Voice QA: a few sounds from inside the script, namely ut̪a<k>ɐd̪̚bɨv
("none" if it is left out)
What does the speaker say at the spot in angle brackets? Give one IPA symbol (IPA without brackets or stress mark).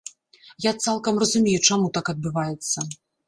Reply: k